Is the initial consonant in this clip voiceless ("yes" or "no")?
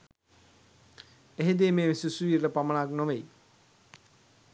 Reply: no